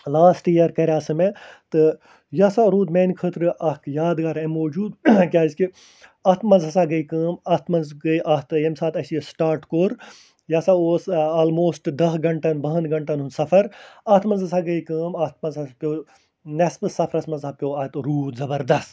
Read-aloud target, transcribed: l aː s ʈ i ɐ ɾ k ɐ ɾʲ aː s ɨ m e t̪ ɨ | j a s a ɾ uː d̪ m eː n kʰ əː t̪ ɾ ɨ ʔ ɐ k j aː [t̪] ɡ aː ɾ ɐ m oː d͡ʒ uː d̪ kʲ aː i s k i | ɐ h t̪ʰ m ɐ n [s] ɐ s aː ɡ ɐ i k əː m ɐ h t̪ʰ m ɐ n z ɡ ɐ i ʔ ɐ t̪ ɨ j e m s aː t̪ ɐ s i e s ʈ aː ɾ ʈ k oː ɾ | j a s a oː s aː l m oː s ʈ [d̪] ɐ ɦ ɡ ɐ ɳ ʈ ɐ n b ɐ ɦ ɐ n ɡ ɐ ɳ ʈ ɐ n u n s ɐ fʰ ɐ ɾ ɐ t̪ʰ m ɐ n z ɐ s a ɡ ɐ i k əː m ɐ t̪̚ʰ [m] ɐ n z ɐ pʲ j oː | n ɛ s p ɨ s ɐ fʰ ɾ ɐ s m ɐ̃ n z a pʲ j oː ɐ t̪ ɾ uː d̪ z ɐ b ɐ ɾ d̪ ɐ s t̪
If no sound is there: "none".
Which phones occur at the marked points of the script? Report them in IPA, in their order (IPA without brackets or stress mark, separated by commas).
d̪, z, d̪, m